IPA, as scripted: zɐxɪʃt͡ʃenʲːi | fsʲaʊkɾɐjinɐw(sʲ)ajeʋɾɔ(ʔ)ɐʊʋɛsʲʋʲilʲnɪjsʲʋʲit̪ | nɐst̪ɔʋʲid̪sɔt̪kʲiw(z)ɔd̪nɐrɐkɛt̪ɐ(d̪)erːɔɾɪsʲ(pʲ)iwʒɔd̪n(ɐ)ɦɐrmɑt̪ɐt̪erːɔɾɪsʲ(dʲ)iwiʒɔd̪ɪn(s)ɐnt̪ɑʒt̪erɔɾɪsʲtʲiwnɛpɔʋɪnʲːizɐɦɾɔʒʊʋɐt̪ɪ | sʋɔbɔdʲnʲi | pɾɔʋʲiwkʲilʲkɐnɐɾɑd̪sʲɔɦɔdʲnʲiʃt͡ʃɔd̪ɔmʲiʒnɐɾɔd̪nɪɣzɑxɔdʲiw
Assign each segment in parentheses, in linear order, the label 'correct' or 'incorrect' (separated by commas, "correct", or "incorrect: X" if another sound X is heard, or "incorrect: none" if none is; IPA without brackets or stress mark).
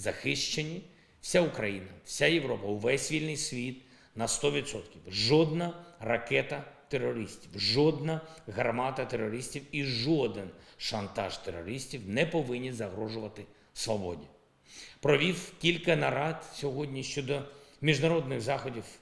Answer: correct, incorrect: p, incorrect: ʒ, incorrect: t̪, incorrect: tʲ, correct, incorrect: tʲ, incorrect: ʃ